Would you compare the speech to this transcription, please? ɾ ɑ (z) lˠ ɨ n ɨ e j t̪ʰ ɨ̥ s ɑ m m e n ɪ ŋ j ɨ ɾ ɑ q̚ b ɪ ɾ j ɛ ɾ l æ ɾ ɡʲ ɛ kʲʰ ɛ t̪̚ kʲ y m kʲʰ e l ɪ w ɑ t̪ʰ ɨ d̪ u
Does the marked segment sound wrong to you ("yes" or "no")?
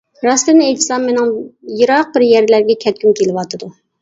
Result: yes